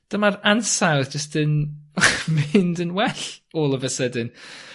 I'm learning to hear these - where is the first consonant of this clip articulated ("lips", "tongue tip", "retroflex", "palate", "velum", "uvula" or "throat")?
tongue tip